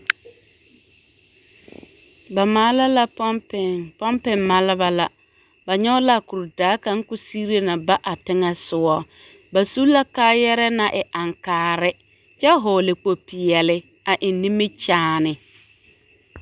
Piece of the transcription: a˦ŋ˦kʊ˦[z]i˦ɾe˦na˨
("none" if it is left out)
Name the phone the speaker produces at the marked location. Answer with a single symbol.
s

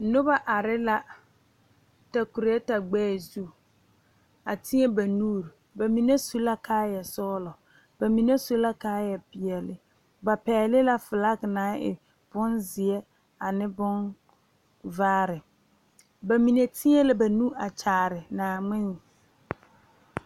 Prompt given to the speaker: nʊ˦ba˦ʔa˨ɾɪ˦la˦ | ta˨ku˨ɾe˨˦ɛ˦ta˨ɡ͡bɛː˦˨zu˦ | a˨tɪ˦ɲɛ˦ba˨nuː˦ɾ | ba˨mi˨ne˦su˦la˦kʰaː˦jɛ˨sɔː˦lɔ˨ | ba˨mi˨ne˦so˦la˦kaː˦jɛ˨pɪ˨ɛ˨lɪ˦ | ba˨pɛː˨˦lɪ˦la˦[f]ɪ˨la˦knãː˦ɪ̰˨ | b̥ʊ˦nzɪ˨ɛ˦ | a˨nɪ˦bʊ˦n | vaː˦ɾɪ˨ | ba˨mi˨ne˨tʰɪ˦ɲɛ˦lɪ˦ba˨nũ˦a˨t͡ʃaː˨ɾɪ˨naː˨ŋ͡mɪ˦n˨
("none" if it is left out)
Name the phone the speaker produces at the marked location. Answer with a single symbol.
f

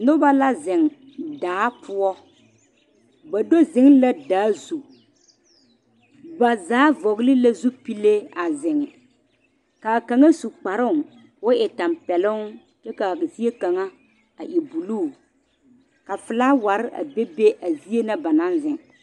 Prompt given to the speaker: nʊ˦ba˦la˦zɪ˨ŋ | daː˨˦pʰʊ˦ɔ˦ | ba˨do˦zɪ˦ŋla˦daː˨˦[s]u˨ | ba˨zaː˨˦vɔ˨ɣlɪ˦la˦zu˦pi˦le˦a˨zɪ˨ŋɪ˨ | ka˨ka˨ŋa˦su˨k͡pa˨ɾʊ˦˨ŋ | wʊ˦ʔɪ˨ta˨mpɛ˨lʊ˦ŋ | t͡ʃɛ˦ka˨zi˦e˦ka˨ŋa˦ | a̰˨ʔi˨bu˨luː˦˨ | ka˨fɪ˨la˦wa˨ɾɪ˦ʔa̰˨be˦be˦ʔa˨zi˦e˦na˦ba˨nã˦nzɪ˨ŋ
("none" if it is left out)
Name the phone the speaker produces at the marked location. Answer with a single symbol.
z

